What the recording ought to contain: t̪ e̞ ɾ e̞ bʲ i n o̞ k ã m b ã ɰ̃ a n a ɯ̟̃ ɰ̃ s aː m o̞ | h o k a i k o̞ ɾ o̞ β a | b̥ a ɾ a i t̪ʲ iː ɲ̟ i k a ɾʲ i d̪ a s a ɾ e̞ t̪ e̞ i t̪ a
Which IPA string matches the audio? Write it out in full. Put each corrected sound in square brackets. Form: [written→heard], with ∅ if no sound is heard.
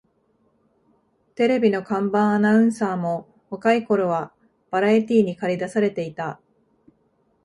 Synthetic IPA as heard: t̪ e̞ ɾ e̞ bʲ i n o̞ k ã m b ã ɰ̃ a n a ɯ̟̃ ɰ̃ s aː m o̞ | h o k a i k o̞ ɾ o̞ β a | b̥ a ɾ a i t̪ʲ iː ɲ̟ i k a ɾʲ i d̪ a s a ɾ e̞ t̪ e̞ i t̪ a